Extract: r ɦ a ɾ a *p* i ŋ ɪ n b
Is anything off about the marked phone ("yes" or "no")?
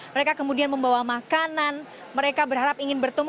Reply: no